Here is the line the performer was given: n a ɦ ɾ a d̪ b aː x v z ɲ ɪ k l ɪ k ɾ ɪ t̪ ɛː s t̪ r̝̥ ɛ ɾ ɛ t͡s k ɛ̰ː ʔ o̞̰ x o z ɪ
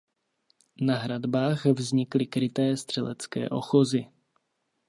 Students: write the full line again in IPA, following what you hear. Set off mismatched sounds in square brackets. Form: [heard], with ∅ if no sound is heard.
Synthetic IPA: n a ɦ ɾ a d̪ b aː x v z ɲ ɪ k l ɪ k ɾ ɪ t̪ ɛː s t̪ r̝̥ ɛ [l] ɛ t͡s k ɛ̰ː ʔ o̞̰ x o z ɪ